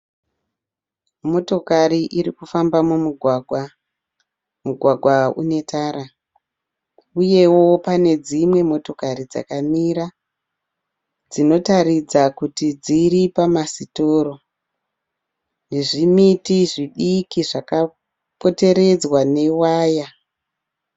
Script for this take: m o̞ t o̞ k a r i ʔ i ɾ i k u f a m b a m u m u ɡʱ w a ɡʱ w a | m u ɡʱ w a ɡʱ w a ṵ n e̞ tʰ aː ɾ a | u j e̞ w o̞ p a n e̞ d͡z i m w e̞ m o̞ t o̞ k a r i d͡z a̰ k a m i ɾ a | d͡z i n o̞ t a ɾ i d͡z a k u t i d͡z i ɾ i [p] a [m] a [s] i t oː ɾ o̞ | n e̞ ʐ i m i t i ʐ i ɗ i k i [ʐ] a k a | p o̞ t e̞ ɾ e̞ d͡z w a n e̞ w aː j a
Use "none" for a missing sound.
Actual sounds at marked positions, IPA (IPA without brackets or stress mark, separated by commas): p, m, s, ʐ